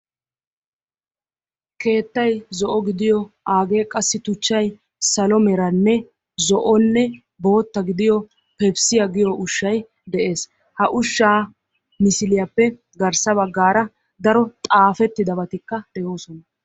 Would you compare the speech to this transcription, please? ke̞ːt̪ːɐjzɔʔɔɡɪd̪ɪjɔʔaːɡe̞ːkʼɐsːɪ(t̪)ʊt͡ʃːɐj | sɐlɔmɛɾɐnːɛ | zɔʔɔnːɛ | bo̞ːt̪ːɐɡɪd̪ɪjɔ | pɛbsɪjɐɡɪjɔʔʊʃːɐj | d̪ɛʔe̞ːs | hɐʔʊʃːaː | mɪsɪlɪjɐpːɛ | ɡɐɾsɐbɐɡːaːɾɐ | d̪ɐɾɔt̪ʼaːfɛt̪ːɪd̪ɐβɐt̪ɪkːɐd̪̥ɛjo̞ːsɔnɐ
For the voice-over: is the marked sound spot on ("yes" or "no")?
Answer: yes